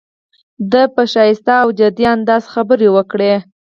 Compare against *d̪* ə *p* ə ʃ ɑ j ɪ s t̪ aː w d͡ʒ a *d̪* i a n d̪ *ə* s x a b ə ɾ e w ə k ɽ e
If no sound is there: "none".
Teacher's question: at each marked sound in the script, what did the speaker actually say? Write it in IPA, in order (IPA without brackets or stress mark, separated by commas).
d̪, p, d̪, ɑ